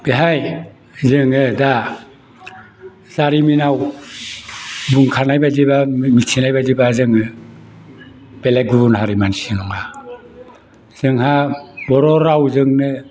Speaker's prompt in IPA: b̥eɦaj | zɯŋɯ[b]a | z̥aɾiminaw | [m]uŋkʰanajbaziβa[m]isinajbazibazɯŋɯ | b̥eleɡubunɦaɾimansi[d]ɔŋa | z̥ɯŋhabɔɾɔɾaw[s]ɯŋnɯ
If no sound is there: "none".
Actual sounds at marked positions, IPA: d, b, m, n, z

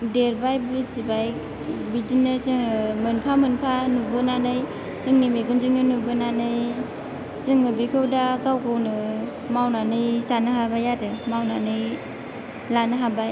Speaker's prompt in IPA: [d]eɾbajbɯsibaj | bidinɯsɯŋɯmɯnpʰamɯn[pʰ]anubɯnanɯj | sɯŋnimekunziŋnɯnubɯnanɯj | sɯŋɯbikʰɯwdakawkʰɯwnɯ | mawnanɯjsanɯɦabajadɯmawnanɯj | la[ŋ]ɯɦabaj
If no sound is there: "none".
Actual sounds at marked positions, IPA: d, pʰ, n

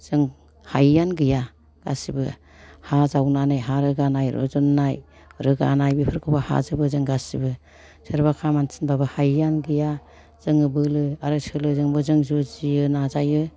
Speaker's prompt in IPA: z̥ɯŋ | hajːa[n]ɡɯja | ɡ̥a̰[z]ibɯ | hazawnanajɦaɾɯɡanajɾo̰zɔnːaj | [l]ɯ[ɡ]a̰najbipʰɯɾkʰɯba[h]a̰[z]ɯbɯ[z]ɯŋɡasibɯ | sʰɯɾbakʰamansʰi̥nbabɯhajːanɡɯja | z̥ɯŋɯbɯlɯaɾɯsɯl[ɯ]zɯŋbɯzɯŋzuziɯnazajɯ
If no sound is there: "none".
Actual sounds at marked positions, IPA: n, s, ɾ, ɡ, h, z, z, ɯ

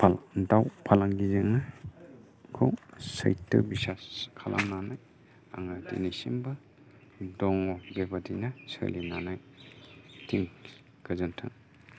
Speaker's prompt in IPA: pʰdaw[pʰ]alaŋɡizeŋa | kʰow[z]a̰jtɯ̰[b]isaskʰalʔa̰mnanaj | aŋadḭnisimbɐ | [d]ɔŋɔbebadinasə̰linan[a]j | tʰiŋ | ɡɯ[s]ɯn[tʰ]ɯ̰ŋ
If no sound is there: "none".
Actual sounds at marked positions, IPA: pʰ, s, b, d, a, z, tʰ

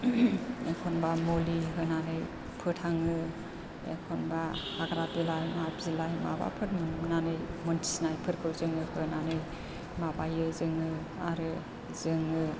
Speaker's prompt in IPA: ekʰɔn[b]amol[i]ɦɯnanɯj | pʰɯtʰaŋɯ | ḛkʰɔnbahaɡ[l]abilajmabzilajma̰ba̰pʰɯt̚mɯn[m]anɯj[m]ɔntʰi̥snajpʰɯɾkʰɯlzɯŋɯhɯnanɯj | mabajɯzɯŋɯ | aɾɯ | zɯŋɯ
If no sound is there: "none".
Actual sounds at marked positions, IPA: b, i, ɾ, n, m

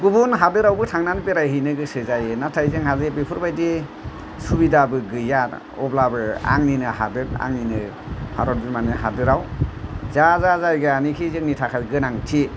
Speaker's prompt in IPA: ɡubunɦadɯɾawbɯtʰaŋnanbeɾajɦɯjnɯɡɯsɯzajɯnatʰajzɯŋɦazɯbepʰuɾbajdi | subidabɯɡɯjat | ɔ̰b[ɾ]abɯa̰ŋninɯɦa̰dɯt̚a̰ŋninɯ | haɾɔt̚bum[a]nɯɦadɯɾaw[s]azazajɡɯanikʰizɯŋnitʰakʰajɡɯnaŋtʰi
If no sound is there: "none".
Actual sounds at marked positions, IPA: l, a, z

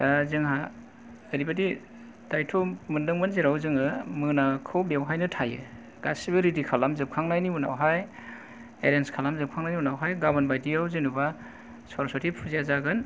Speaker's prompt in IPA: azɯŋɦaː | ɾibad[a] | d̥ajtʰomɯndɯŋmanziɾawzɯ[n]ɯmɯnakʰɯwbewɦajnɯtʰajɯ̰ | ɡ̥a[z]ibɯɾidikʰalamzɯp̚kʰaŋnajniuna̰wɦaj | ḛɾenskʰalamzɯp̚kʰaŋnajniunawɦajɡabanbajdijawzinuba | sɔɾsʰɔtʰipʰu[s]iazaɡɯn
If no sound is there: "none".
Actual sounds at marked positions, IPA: i, ŋ, s, z

